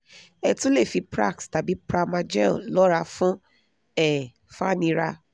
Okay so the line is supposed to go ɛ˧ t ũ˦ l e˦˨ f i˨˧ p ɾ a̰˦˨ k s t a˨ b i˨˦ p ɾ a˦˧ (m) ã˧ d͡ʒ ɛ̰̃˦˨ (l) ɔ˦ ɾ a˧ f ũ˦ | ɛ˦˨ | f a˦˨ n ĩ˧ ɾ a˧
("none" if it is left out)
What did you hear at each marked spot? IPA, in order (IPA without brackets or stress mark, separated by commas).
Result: m, l